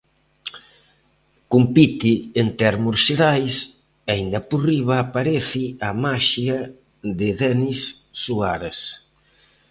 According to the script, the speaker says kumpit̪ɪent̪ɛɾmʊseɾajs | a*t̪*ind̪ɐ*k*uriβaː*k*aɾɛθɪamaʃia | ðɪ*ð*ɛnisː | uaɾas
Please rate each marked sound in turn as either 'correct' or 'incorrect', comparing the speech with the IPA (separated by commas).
incorrect, incorrect, incorrect, correct